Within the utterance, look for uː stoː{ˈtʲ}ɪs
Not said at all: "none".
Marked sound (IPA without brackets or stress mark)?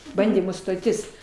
tʲ